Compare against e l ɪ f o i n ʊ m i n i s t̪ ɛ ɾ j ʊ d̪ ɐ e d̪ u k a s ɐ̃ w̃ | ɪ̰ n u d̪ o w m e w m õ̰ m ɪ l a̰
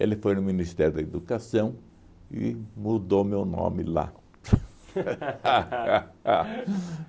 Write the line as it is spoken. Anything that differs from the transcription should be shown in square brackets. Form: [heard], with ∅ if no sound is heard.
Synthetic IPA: e l ɪ f o [j] n ʊ m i n i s t̪ ɛ ɾ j ʊ d̪ ɐ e d̪ u k a s ɐ̃ w̃ | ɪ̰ [m] u d̪ o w m e w [n] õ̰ m ɪ l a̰